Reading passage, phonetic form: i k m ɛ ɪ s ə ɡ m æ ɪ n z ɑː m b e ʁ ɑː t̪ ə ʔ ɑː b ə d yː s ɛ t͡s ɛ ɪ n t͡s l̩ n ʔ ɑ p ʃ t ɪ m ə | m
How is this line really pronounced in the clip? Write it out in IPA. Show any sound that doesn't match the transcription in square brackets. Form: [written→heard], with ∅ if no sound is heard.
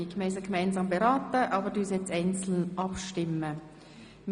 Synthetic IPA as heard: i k m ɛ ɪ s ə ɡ m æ ɪ n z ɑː m b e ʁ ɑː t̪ ə ʔ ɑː b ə d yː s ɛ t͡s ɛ ɪ n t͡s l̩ n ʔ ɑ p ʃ t ɪ m ə | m

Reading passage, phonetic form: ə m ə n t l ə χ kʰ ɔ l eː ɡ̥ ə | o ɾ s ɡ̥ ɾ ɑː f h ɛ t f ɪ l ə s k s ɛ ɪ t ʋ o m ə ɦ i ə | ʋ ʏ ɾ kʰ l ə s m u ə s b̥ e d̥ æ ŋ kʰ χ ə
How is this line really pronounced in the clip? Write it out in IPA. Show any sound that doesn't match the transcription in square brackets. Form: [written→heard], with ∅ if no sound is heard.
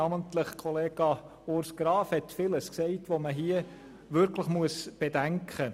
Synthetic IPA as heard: [ə→ɑ] m ə n t l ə χ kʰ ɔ l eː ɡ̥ [ə→ɑ] | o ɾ s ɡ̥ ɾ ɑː f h ɛ t f ɪ l ə s k s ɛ ɪ t ʋ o m ə ɦ i ə | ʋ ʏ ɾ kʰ l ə [s→χ] m u ə s b̥ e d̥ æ ŋ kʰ χ ə

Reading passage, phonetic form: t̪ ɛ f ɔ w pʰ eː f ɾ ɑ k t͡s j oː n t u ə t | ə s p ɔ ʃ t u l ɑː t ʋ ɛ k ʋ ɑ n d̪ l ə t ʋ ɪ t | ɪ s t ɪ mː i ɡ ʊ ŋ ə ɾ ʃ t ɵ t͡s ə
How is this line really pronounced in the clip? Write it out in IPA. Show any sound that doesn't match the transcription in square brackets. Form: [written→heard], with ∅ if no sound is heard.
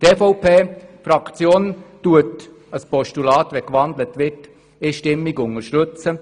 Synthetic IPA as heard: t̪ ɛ f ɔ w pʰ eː f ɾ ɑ k t͡s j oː n t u ə t | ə s p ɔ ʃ t u l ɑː t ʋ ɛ k ʋ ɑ n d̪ l ə t ʋ ɪ t | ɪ [s→ʃ] t ɪ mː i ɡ ʊ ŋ ə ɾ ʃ t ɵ t͡s ə

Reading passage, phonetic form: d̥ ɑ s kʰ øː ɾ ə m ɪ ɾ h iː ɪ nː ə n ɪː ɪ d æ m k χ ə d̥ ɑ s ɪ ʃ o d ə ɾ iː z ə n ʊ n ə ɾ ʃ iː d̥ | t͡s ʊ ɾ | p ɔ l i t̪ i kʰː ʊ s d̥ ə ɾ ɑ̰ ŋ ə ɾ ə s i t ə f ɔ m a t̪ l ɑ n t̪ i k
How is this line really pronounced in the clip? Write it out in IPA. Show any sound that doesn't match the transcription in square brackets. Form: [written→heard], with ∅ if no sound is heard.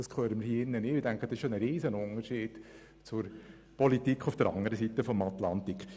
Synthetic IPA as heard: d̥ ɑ s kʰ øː ɾ ə m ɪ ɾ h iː ɪ nː ə n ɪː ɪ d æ [m→ŋ] k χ ə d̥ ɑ s ɪ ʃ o [d→n] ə ɾ iː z ə n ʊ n ə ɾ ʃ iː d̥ | t͡s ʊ ɾ | p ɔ l i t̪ i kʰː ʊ [s→f] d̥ ə ɾ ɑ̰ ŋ ə ɾ ə s i t ə f ɔ m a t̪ l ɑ n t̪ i k

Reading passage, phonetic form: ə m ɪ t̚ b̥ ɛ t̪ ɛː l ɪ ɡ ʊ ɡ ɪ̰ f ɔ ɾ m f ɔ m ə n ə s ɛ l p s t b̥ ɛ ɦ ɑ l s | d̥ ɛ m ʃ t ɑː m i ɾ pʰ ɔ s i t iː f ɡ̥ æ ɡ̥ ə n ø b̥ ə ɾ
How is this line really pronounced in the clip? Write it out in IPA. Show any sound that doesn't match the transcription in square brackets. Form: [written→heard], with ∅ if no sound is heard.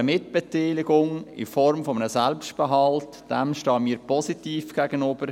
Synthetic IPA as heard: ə m ɪ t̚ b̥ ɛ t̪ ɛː l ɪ ɡ ʊ [ɡ→ŋ] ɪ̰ f ɔ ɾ m f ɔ m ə n ə s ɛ l p s t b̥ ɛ ɦ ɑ l [s→t] | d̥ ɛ m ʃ t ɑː m [i→iː] ɾ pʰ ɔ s i t iː f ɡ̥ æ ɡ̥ ə n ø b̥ ə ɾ

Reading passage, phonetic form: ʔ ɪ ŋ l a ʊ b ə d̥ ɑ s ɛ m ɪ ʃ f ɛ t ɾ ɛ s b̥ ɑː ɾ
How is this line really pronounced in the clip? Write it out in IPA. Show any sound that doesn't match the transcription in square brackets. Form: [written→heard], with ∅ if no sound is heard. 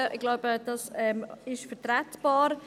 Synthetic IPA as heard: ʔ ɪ [ŋ→ɡ] l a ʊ b ə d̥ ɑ s ɛ m ɪ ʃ f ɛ t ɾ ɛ [s→t] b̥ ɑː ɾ

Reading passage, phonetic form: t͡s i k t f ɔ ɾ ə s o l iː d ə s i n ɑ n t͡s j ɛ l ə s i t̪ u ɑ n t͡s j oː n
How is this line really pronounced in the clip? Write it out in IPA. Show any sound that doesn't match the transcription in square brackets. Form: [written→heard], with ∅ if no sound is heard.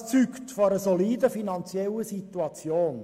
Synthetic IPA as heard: t͡s [i→y] k t f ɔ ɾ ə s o l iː d ə [s→f] i n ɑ n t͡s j ɛ l ə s i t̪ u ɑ [n→∅] t͡s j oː n

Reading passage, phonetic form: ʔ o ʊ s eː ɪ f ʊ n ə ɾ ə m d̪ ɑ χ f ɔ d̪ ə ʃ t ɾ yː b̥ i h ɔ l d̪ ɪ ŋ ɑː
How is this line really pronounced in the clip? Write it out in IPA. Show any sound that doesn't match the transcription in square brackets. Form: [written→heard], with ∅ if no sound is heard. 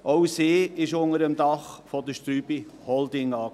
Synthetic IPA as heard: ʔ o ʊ s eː ɪ [f→ʃ] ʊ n ə ɾ ə m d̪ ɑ χ f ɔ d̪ ə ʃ t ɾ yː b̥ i h ɔ l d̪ ɪ ŋ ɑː

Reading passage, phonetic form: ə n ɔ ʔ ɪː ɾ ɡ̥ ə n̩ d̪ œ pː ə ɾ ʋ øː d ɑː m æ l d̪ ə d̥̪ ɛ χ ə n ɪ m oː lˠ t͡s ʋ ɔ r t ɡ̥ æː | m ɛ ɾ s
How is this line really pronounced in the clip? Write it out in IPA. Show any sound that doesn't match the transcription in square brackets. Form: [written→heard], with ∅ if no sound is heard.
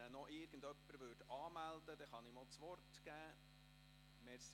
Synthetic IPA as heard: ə n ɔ ʔ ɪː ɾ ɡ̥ ə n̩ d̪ œ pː ə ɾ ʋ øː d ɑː m æ l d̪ ə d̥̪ ɛ χ [ə→ɑ] n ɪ m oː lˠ t͡s ʋ ɔ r t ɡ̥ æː | m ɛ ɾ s

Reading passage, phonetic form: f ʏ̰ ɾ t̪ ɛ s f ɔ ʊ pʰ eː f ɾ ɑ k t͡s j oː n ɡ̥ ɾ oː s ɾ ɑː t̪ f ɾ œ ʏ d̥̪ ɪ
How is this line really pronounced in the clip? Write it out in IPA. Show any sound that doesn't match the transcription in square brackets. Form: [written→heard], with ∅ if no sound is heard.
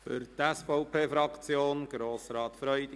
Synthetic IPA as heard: f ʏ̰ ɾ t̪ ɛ s f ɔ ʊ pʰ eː f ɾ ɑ k t͡s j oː n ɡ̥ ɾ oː s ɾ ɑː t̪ f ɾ œ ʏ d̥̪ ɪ

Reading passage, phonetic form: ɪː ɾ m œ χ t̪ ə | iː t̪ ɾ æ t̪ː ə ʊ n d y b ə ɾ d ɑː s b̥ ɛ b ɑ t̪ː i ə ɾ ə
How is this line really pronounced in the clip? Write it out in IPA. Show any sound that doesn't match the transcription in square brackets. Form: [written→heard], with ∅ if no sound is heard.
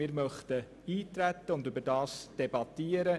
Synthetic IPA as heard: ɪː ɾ m œ χ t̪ ə | iː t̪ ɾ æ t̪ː ə ʊ n d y b ə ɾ d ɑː s [b̥→d̥] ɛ b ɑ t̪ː i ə ɾ ə

